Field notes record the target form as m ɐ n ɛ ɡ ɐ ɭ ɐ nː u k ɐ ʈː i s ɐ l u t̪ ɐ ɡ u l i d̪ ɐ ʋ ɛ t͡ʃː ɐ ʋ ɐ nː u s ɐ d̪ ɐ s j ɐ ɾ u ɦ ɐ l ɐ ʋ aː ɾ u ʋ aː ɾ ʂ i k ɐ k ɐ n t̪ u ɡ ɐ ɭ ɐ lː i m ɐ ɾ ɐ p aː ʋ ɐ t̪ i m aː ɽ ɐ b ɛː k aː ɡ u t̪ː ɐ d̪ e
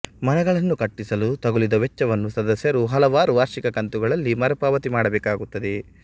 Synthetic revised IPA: m ɐ n ɛ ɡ ɐ ɭ ɐ nː u k ɐ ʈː i s ɐ l u t̪ ɐ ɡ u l i d̪ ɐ ʋ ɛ t͡ʃː ɐ ʋ ɐ nː u s ɐ d̪ ɐ s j ɐ ɾ u ɦ ɐ l ɐ ʋ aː ɾ u ʋ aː ɾ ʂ i k ɐ k ɐ n t̪ u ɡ ɐ ɭ ɐ lː i m ɐ ɾ ɐ p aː ʋ ɐ t̪ i m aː ɽ ɐ b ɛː k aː ɡ u t̪ː ɐ d̪ e